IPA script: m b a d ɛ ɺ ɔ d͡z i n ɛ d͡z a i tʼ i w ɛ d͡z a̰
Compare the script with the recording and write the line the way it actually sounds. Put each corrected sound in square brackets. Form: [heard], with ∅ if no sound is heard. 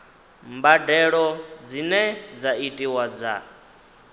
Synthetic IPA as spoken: m b a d ɛ ɺ ɔ d͡z i n ɛ d͡z a i tʼ i w [a] d͡z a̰